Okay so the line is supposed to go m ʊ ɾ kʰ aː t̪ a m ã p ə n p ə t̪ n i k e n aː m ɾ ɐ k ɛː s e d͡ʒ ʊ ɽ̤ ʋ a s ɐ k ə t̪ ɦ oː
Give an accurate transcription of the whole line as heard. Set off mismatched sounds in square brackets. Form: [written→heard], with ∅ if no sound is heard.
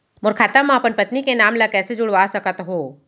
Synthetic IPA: m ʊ ɾ kʰ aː t̪ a m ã p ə n p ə t̪ n i k e n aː m [ɾ→l] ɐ k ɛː s e d͡ʒ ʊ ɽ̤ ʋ a s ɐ k ə t̪ ɦ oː